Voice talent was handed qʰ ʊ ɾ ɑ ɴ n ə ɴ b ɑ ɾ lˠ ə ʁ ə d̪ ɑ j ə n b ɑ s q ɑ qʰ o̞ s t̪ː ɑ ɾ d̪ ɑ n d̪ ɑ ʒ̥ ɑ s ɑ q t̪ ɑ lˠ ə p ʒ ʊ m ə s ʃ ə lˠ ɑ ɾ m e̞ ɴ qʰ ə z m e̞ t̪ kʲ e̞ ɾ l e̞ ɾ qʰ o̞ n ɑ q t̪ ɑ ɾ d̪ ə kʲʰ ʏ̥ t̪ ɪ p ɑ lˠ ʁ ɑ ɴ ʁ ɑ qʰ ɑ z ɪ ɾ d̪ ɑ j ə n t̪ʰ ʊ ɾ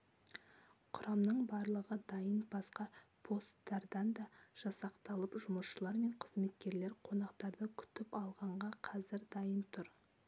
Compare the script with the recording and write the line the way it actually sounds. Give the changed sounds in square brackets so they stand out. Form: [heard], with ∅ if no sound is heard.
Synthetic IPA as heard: qʰ ʊ ɾ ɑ [m] n ə ɴ b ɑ ɾ lˠ ə ʁ ə d̪ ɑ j ə n b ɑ s q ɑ [pʰ] o̞ s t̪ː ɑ ɾ d̪ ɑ n d̪ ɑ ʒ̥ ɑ s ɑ q t̪ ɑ lˠ ə p ʒ ʊ m ə s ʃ ə lˠ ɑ ɾ m e̞ ɴ qʰ ə z m e̞ t̪ kʲ e̞ ɾ l e̞ ɾ qʰ o̞ n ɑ q t̪ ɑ ɾ d̪ ə kʲʰ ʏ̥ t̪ ɪ p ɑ lˠ ʁ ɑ ɴ ʁ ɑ qʰ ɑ z ɪ ɾ d̪ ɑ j ə n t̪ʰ ʊ ɾ